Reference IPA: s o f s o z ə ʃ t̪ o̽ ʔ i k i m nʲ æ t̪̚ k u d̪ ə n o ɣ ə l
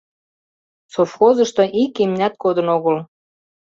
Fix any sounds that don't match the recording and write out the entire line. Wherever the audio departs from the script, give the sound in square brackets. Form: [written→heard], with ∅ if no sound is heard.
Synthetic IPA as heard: s o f [s→x] o z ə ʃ t̪ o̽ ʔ i k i m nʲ æ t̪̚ k [u→o] d̪ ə n o ɣ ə l